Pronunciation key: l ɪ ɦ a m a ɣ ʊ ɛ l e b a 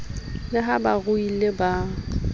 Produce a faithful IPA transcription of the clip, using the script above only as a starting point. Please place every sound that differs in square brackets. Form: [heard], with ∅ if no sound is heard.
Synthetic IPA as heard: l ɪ ɦ a [b] a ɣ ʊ [i] l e b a